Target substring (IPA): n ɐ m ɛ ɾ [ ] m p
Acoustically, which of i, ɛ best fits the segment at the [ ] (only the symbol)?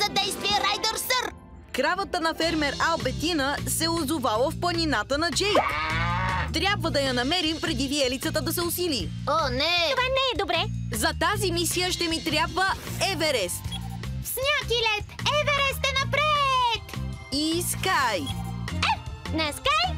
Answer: i